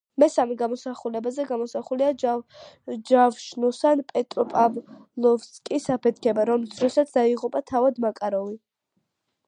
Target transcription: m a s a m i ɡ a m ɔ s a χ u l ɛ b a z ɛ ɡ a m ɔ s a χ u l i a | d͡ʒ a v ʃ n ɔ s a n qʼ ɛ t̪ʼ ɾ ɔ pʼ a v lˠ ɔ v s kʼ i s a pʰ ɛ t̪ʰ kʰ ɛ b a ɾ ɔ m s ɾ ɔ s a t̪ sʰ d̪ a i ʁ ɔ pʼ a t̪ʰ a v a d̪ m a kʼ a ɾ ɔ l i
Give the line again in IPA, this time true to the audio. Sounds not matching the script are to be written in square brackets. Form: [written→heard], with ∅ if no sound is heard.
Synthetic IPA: m [a→ɛ] s a m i ɡ a m ɔ s a χ u l ɛ b a z ɛ ɡ a m ɔ s a χ u l i a | d͡ʒ a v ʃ n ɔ s a n [qʼ→pʼ] ɛ t̪ʼ ɾ ɔ pʼ a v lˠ ɔ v s kʼ i s a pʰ ɛ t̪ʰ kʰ ɛ b a ɾ ɔ m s ɾ ɔ s a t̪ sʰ d̪ a i ʁ [ɔ→u] pʼ a t̪ʰ a v a d̪ m a kʼ a ɾ ɔ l i